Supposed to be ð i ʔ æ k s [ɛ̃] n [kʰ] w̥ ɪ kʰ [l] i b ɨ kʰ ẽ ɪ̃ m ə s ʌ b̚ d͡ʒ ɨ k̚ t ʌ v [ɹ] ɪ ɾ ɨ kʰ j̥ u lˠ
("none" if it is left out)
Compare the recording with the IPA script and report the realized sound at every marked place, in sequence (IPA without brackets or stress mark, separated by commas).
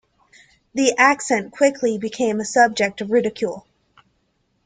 ɛ̃, kʰ, l, ɹ